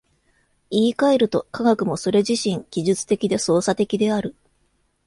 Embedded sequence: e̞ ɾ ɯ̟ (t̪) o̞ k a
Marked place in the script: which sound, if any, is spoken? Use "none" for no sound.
t̪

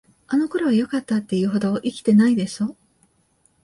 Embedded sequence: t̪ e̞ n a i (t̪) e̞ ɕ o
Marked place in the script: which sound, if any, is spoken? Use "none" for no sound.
d̪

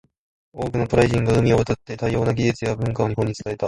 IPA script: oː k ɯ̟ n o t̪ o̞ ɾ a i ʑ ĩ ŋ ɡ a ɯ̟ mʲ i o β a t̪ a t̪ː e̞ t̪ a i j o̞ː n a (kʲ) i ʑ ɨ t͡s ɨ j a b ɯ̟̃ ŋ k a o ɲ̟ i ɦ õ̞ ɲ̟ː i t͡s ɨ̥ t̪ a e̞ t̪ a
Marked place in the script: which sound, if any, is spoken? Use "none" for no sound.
ɡʲ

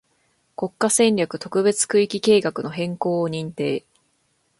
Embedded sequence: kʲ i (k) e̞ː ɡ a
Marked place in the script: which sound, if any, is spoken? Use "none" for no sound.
k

